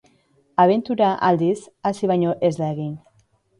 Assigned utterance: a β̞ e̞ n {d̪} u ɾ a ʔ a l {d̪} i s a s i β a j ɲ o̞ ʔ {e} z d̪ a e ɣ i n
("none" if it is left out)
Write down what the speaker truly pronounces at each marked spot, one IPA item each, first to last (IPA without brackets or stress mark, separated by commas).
t̪, d̪, e